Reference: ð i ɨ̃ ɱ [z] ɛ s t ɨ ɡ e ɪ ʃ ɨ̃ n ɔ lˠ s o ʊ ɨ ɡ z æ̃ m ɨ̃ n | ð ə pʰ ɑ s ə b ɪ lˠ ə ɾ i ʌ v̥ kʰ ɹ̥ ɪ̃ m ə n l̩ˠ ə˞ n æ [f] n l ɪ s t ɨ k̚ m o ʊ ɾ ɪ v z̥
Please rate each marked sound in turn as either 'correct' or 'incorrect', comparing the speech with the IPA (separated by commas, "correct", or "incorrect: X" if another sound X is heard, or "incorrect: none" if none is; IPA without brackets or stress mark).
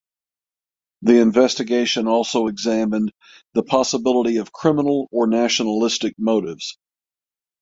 incorrect: v, incorrect: ʃ